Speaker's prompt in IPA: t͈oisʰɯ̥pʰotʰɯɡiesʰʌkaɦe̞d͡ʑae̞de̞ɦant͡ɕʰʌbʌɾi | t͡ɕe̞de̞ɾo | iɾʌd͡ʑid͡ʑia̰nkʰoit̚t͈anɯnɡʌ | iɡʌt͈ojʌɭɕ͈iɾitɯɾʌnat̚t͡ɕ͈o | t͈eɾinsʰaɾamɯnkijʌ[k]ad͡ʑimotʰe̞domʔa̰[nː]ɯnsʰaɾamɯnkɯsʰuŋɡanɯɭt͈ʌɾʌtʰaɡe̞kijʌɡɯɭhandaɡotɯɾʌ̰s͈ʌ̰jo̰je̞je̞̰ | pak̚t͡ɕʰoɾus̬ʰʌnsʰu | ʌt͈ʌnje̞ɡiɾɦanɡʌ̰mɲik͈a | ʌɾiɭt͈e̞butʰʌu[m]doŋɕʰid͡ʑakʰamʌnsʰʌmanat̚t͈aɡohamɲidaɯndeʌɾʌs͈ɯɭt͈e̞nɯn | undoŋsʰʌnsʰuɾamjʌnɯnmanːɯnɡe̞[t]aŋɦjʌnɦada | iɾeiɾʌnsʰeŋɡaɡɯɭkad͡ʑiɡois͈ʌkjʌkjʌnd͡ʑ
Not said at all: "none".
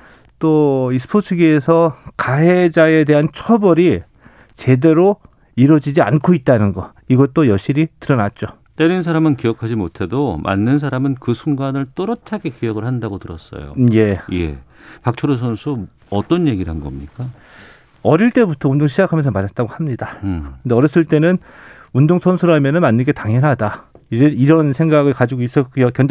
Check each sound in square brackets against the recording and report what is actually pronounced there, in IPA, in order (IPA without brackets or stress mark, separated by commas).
kʰ, nː, n, t